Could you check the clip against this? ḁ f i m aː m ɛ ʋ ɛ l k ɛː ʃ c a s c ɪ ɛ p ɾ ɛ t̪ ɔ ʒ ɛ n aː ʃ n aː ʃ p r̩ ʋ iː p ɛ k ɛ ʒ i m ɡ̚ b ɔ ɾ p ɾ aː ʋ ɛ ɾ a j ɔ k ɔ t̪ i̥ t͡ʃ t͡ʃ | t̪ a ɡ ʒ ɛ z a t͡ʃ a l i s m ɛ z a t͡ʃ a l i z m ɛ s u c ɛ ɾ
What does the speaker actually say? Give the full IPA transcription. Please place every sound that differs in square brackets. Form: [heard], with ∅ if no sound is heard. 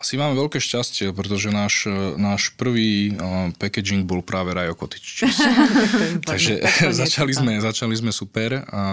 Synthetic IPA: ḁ [s] i m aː m ɛ ʋ ɛ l k ɛː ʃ c a s c ɪ ɛ p ɾ ɛ t̪ ɔ ʒ ɛ n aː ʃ n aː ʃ p r̩ ʋ iː p ɛ k ɛ [d͡ʒ] i [ŋ] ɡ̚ b ɔ [l] p ɾ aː ʋ ɛ ɾ a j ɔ k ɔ t̪ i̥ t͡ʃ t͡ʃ | t̪ a ɡ ʒ ɛ z a t͡ʃ a l i [z] m ɛ z a t͡ʃ a l i z m ɛ s u [p] ɛ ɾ